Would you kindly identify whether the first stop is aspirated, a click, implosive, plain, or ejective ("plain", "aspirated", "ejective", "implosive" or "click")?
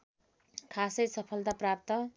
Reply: aspirated